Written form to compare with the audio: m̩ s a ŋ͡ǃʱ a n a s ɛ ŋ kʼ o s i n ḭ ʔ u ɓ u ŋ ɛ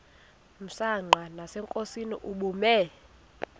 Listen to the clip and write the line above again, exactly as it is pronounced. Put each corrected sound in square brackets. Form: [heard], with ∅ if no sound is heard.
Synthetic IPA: m̩ s a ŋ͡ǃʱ a n a s ɛ ŋ kʼ o s i n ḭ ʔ u ɓ u [m] ɛ